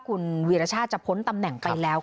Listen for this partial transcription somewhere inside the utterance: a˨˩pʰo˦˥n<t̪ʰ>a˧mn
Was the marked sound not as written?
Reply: yes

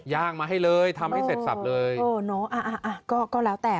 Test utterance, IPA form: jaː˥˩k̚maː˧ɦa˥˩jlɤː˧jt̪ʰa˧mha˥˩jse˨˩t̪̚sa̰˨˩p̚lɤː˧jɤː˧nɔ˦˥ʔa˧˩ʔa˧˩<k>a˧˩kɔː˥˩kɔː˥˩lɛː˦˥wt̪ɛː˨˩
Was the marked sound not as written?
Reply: yes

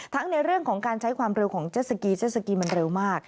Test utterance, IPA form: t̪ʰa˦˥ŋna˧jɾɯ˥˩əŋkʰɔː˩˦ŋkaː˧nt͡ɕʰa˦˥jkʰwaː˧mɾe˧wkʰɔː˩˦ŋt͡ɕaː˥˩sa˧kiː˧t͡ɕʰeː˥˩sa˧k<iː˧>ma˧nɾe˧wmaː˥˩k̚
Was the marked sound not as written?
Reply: no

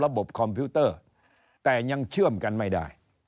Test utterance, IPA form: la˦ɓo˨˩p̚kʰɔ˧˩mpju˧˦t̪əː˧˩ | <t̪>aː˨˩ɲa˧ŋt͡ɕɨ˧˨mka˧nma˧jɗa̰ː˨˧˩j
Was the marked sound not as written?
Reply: no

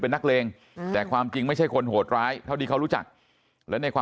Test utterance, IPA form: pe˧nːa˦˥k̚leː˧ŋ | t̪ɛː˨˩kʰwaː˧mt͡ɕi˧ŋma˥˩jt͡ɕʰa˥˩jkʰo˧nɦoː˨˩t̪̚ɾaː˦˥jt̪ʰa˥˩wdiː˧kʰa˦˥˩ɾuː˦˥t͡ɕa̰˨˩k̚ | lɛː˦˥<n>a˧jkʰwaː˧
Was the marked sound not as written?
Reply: no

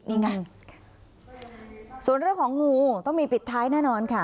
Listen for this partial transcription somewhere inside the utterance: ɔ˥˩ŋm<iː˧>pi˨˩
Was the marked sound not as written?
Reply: no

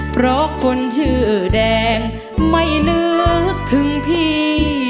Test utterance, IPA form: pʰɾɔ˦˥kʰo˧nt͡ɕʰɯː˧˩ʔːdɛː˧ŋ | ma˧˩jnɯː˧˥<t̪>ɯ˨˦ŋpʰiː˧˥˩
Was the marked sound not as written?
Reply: yes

